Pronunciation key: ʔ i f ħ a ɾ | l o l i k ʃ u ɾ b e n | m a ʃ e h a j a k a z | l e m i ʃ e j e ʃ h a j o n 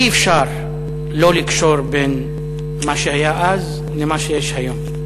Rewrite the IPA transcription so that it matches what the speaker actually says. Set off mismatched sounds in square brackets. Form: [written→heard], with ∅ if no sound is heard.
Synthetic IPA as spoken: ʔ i f [ħ→ʃ] a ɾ | l o l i k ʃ [u→o] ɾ b e n | m a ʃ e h a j a [k→ʔ] a z | l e m [i→a] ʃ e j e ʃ h a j o [n→m]